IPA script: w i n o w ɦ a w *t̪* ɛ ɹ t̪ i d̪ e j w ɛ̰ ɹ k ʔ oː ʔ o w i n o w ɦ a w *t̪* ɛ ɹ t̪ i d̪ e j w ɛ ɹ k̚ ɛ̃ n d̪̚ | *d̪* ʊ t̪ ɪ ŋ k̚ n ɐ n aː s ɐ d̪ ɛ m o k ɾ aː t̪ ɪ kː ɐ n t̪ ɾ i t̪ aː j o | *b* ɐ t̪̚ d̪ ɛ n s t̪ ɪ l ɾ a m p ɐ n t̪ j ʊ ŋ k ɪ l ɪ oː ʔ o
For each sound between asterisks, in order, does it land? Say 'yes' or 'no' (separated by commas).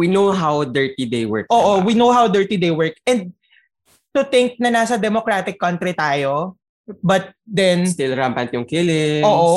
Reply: no, no, no, yes